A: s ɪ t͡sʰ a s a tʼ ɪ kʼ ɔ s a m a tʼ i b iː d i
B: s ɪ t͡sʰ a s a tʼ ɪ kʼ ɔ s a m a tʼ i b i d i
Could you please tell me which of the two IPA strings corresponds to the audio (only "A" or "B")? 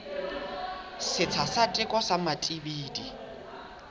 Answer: A